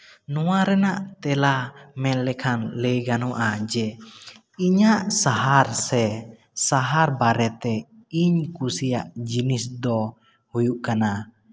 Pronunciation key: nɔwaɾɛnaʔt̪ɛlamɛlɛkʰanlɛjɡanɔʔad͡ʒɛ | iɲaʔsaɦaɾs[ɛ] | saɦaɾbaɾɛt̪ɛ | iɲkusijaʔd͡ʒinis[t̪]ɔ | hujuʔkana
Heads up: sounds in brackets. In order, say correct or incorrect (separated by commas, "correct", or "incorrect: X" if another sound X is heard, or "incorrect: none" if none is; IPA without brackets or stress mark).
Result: correct, incorrect: d̪